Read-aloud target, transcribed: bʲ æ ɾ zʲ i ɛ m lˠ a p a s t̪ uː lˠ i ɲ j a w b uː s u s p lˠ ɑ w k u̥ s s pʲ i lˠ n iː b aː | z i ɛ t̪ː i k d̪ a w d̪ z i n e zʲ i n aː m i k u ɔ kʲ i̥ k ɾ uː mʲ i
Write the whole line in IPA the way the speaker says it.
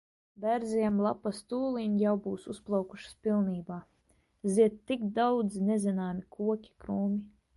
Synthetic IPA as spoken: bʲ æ ɾ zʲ i ɛ m lˠ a p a s t̪ uː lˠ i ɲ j a w b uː s u s p lˠ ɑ w k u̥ ʃ s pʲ i lˠ n iː b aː | z i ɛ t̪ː i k d̪ a w d̪ z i n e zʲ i n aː m i k u ɔ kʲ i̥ k ɾ uː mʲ i